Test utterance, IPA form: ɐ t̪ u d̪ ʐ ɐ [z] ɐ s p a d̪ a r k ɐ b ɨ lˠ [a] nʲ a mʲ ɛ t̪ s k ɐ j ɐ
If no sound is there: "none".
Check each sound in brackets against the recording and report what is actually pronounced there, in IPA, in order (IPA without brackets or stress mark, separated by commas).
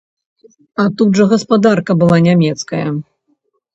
ɣ, a